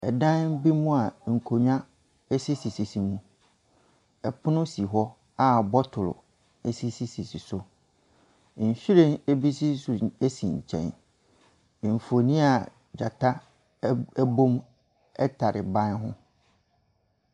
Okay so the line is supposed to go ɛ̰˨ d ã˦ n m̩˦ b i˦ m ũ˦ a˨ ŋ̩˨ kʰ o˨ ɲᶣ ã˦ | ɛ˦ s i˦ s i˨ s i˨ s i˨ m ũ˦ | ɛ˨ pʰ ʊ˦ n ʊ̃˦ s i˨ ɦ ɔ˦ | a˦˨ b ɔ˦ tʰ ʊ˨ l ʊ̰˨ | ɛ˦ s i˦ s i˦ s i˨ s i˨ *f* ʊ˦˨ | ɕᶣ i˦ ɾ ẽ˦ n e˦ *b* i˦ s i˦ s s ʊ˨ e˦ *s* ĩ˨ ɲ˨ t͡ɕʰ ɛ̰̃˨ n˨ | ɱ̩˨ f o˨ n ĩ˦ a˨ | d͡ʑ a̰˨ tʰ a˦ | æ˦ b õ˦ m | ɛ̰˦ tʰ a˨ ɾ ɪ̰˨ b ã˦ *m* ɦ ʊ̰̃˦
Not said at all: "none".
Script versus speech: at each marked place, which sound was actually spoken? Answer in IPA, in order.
s, b, s, n

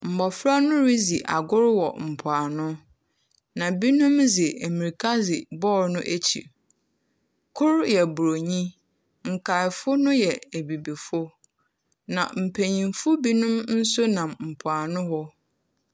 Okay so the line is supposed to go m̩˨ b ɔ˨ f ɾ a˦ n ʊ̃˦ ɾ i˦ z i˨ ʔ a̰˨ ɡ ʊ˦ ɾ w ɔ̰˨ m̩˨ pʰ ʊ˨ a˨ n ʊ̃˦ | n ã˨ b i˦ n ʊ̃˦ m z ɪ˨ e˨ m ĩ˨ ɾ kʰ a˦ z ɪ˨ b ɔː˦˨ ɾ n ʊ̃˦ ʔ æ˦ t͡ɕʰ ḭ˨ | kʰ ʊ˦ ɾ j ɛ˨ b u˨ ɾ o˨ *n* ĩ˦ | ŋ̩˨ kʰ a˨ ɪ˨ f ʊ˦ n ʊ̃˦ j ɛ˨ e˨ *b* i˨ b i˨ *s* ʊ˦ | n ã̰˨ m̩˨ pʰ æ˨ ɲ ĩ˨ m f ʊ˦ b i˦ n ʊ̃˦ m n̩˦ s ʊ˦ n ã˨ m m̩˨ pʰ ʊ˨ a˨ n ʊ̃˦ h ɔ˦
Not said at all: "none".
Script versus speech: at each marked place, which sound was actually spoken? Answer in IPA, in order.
ɲ, b, f

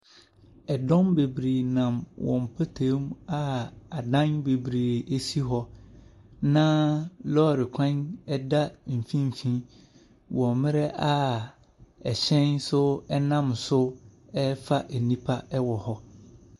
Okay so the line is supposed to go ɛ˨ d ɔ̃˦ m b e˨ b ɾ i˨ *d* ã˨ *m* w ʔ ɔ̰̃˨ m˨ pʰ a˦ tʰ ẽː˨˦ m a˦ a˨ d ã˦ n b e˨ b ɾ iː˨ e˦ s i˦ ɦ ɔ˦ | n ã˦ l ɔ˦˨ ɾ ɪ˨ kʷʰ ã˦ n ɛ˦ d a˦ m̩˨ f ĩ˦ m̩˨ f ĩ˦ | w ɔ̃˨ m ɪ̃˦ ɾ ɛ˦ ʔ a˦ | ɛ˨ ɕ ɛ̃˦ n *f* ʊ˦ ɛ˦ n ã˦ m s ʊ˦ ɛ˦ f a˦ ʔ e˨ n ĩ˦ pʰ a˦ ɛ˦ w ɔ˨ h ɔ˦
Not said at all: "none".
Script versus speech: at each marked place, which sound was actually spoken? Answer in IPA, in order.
n, m, s

